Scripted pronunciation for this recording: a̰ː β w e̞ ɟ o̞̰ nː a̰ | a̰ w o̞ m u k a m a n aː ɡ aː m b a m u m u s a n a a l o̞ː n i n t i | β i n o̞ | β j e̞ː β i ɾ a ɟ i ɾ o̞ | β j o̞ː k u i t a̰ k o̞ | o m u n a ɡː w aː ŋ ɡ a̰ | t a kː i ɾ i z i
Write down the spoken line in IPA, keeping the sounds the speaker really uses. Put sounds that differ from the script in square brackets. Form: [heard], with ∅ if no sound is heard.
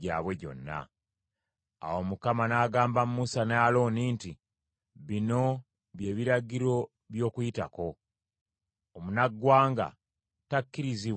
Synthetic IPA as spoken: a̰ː β w e̞ ɟ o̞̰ nː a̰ | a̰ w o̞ m u k a m a n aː ɡ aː m b a m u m u s a n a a l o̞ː n i n t i | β i n o̞ | β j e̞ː β i ɾ a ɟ i ɾ o̞ | β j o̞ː k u i t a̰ k o̞ | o m u n a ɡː w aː ŋ ɡ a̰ | t a kː i ɾ i z i